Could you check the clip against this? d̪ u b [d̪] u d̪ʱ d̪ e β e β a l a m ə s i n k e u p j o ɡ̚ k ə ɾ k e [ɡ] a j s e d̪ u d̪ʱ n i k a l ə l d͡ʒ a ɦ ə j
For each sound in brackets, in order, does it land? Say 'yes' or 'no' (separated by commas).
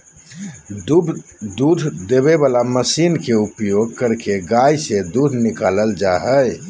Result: yes, yes